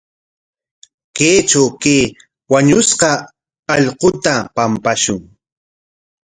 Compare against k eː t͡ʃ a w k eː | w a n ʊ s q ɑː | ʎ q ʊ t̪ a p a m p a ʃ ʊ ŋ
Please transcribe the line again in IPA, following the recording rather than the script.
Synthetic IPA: k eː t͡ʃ a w k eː | w a ɲ ʊ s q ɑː | ʎ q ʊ t̪ a p a m p a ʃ ʊ ŋ